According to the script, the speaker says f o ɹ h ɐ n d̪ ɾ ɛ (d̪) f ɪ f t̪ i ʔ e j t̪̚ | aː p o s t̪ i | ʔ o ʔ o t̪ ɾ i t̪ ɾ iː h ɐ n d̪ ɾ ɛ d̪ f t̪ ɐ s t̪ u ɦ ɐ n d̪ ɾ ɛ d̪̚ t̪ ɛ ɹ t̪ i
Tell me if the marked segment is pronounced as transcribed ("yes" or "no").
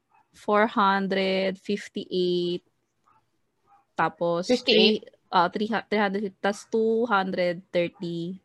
yes